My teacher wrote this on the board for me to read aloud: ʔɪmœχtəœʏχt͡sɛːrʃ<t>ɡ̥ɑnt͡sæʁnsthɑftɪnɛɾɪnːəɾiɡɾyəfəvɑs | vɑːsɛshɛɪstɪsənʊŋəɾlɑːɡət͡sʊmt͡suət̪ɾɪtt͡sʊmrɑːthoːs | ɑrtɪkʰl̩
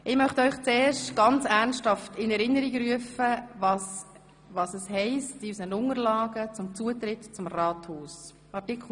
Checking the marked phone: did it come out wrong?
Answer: no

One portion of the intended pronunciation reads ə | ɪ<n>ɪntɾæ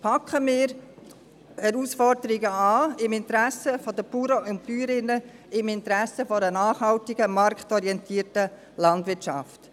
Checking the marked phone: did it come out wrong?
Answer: yes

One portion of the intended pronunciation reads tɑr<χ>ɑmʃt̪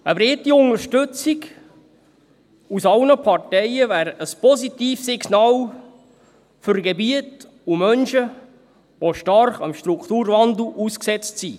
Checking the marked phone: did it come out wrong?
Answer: no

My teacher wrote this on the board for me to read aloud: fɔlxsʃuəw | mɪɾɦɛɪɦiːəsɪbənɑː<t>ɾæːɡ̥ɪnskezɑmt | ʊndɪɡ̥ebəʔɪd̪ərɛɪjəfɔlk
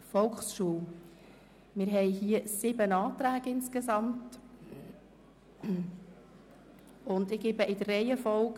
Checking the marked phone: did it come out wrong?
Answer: no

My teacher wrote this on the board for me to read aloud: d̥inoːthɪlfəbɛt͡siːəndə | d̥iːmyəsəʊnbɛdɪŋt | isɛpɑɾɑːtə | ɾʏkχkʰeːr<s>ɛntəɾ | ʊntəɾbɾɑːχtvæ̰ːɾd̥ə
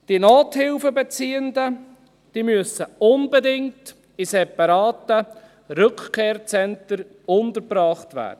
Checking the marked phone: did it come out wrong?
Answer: yes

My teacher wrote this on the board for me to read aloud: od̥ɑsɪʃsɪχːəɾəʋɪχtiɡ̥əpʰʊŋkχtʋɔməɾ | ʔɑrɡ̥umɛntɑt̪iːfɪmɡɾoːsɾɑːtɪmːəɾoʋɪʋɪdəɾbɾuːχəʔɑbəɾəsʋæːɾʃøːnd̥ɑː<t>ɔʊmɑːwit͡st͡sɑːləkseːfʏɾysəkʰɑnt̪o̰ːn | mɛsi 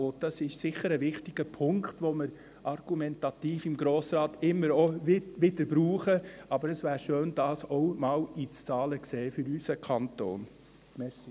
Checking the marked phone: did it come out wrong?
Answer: yes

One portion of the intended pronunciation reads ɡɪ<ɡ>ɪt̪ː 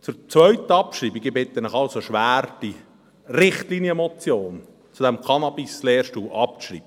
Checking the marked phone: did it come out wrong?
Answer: yes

